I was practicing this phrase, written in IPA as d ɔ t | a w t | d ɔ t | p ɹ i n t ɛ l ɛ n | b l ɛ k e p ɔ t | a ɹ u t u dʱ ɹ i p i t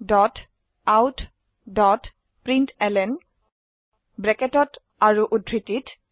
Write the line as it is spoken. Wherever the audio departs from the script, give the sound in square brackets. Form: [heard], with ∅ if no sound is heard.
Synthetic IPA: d ɔ t | a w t | d ɔ t | p ɹ i n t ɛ l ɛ n | b [ɹ] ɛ k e [t] ɔ t | a ɹ u [ʔ] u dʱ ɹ i [t] i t